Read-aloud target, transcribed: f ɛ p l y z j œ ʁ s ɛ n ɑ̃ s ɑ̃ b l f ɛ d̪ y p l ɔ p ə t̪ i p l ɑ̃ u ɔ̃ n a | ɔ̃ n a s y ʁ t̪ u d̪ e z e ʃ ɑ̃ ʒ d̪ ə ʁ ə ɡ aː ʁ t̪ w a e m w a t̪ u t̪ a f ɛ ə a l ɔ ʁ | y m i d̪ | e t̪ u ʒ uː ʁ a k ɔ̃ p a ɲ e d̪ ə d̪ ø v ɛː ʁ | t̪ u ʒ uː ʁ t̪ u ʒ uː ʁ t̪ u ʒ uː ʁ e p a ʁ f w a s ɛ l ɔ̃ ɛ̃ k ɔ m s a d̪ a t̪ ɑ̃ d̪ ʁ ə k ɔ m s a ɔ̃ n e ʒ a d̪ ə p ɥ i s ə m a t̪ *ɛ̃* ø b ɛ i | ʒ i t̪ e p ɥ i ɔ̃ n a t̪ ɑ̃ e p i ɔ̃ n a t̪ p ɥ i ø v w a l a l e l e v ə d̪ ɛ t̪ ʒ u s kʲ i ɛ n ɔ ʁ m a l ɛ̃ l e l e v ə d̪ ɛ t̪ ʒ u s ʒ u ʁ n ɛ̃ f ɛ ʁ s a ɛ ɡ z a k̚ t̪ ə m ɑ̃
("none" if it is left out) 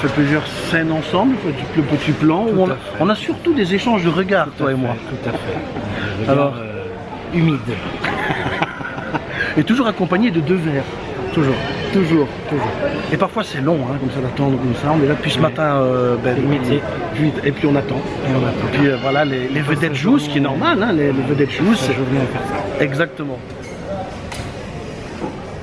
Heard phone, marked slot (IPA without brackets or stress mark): ɛ̃